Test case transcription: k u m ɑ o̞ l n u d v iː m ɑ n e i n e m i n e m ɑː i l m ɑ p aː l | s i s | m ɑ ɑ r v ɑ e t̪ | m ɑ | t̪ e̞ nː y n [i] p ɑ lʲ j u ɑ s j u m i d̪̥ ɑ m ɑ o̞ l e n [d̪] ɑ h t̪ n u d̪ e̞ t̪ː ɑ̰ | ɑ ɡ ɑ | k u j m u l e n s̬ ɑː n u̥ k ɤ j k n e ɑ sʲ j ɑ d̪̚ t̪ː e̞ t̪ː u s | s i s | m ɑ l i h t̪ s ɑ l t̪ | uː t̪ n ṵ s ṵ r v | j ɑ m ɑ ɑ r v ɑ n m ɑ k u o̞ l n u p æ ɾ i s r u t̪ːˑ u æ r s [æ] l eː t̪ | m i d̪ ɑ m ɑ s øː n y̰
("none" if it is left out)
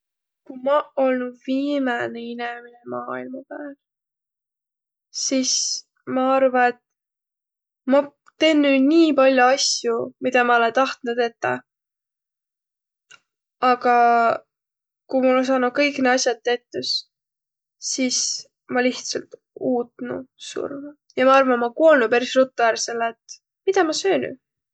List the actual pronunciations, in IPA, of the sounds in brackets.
iː, t̪, e

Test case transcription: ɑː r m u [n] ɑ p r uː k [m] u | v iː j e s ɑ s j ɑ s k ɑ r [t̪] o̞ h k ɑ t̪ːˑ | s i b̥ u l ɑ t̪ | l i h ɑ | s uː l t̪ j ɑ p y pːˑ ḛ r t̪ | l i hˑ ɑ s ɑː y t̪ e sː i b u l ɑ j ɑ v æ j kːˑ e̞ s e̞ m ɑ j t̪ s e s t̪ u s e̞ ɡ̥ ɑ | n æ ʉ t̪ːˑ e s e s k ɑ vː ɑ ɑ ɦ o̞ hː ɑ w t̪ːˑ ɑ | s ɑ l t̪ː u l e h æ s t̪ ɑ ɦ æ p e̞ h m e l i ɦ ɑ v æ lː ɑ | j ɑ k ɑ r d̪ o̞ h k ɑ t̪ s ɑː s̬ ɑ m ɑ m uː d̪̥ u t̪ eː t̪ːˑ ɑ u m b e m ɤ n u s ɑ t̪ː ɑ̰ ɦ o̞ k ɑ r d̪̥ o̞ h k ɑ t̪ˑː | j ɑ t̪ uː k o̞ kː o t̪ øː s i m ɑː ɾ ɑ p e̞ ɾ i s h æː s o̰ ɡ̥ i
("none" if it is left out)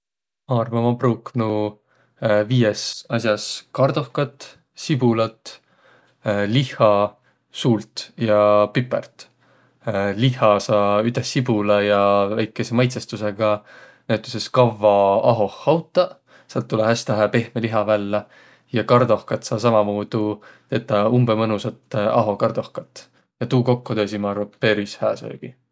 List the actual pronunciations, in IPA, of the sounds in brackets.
m, n, d̪

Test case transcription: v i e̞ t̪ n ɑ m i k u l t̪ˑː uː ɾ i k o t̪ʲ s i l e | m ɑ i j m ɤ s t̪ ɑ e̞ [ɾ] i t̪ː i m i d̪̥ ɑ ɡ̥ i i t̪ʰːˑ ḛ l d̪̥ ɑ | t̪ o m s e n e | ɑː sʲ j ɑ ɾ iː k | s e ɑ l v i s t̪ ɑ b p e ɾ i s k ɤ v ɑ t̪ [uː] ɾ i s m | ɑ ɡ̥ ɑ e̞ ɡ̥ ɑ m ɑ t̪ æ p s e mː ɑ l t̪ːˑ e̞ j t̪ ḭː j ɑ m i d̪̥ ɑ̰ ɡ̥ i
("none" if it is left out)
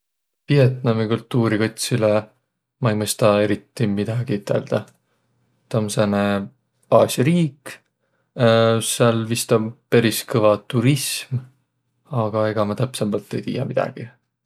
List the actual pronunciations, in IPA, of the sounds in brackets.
ɾ, u

